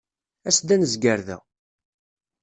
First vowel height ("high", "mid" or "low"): low